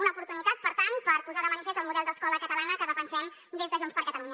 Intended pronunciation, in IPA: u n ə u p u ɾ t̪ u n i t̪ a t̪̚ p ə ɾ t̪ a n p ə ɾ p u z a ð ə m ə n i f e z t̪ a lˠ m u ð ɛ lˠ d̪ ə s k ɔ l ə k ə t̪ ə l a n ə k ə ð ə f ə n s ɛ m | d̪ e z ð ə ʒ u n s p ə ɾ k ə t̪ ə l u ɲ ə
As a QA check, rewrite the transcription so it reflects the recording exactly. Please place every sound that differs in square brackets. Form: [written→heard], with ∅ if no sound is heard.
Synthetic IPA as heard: u n ə u p u ɾ t̪ u n i t̪ a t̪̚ p ə ɾ t̪ a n p ə ɾ p u z a ð ə m ə n i f e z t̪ [a→ə] lˠ m u ð ɛ lˠ d̪ ə s k ɔ l ə k ə t̪ ə l a n ə k ə ð ə f ə n s ɛ m | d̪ e z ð ə ʒ u n s p ə ɾ k ə t̪ ə l u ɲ ə

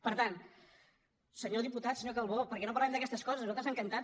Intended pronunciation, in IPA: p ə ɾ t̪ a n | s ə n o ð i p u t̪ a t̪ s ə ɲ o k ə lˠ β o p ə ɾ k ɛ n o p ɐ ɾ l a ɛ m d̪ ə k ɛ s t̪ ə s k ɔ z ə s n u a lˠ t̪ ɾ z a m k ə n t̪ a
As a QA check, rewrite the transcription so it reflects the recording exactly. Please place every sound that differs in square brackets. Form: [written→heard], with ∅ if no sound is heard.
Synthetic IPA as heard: p ə ɾ t̪ a n | s ə [n→ɲ] o ð i p u t̪ a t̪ s ə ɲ o k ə lˠ β o p ə ɾ k ɛ n o p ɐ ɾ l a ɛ m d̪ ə k ɛ s t̪ ə s k ɔ z ə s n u a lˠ t̪ ɾ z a [m→ŋ] k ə n t̪ a

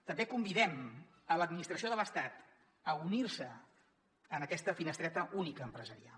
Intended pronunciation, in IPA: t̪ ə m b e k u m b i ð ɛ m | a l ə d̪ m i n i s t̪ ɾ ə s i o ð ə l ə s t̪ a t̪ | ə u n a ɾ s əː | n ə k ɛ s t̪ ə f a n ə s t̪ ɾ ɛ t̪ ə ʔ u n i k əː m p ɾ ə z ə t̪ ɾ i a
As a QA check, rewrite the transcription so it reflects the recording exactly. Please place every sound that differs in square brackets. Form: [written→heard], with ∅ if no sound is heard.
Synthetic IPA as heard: t̪ ə m b e k u m b i ð ɛ m | [a→ə] l ə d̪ m i n i s t̪ ɾ ə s i o ð ə l ə s t̪ a t̪ | ə u n [a→i] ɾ s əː | n ə k ɛ s t̪ ə f [a→i] n ə s t̪ ɾ ɛ t̪ ə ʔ u n i k əː m p ɾ ə z ə [t̪→∅] ɾ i a

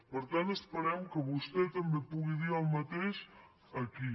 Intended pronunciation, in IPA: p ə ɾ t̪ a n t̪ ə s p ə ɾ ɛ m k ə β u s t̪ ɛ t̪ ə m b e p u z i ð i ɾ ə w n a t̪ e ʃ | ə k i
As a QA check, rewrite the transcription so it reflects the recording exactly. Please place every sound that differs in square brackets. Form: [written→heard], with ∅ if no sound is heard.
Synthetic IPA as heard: p ə ɾ t̪ a n t̪ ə s p ə ɾ ɛ m k ə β u s t̪ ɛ t̪ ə m b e p u [z→ɣ] i ð i ɾ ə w [n→m] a t̪ e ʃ | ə k i

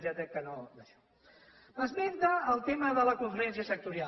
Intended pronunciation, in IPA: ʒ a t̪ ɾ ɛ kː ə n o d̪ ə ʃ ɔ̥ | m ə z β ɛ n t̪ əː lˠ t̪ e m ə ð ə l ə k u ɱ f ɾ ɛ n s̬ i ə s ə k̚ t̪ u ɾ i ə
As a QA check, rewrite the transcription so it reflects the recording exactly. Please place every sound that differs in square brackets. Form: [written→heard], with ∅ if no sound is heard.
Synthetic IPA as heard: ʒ a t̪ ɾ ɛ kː ə n o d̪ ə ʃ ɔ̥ | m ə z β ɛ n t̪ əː lˠ t̪ e m ə ð ə l ə k u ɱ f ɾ ɛ n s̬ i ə s ə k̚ t̪ u ɾ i [ə→a]

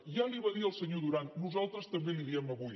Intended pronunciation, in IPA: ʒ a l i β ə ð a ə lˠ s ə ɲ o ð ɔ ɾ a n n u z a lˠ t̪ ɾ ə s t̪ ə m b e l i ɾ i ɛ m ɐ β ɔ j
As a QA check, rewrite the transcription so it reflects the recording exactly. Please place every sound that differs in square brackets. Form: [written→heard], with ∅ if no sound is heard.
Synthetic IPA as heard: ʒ a l i β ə ð [a→i] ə lˠ s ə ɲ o ð [ɔ→u] ɾ a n n u z a lˠ t̪ ɾ ə s t̪ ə m b e l i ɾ i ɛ m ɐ β [ɔ→u] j

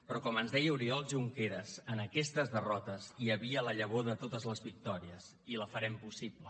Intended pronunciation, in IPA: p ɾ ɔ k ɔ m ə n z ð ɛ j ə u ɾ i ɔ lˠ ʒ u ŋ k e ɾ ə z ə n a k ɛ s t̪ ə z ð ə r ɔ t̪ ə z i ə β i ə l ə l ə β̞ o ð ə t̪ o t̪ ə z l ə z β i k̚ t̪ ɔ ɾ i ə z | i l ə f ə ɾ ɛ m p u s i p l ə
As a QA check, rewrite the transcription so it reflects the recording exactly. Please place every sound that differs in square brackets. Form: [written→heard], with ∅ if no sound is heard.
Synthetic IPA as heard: p ɾ ɔ k ɔ m ə n z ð ɛ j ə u ɾ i ɔ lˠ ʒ u ŋ k e ɾ ə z ə n [a→ə] k ɛ s t̪ ə z ð ə r ɔ t̪ ə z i ə β i ə l ə [l→ʎ] ə β̞ o ð ə t̪ o t̪ ə z l ə z β i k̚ t̪ ɔ ɾ i ə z | i l ə f ə ɾ ɛ m p u s i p l ə

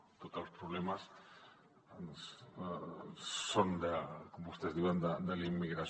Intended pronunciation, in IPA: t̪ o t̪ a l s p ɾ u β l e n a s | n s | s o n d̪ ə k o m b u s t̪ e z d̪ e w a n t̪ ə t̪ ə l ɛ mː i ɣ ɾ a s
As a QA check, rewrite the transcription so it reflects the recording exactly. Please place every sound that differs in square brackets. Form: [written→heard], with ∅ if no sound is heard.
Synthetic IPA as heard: t̪ o t̪ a l s p ɾ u β l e [n→m] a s | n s | s o n d̪ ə k o m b u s t̪ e z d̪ [e→i] w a n [t̪→d̪] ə [t̪→d̪] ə l [ɛ→i] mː i ɣ ɾ a s

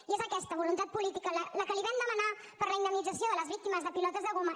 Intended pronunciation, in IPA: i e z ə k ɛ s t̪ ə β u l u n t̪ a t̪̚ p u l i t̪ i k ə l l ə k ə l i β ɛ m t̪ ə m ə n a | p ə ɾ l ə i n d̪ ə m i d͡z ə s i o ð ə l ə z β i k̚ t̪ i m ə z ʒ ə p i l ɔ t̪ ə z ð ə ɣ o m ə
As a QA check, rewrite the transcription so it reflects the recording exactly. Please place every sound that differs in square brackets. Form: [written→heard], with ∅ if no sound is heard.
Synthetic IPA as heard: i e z ə k ɛ s t̪ ə β u l u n t̪ a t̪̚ p u l i t̪ i k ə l l ə k ə l i β ɛ m [t̪→d̪] ə m ə n a | p ə ɾ l ə i n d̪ ə m i d͡z ə s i o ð ə l ə z β i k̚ t̪ i m ə z [ʒ→ð] ə p i l ɔ t̪ ə z ð ə ɣ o m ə

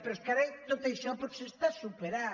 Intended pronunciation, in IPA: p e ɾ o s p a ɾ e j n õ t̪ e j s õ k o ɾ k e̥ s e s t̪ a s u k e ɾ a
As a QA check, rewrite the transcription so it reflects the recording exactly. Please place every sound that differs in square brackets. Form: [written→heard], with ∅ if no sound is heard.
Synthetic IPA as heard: p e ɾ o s [p→k] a ɾ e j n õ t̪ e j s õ [k→p] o ɾ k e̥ s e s t̪ a s u [k→p] e ɾ a

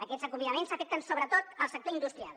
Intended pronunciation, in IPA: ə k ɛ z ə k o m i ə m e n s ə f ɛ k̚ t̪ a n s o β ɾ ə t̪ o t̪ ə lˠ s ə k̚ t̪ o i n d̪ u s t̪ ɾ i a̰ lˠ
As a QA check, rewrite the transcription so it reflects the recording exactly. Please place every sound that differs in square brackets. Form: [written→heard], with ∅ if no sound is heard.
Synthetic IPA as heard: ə k ɛ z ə k [o→u] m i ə m e n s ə f ɛ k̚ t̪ [a→ə] n s o β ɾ ə t̪ o t̪ ə lˠ s ə k̚ t̪ o i n d̪ u s t̪ ɾ i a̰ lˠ

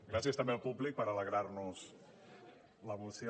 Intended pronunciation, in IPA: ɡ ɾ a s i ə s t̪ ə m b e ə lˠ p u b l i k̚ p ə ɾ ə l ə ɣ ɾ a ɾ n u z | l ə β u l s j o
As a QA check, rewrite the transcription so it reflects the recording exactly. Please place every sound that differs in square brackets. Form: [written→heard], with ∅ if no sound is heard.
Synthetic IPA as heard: ɡ ɾ a s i ə s t̪ ə m b e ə lˠ p u b l i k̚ p ə ɾ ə l ə ɣ ɾ a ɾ n u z | l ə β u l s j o

